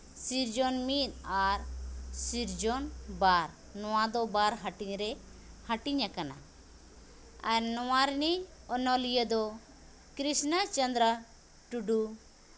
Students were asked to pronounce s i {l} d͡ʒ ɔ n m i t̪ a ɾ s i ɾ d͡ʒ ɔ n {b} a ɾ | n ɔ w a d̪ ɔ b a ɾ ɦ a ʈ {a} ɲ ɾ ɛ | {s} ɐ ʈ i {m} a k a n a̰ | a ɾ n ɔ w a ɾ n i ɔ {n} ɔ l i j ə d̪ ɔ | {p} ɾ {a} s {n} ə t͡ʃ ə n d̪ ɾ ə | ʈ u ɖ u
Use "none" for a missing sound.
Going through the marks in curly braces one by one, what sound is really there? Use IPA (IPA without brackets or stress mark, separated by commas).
ɾ, b, i, h, ɲ, n, k, i, n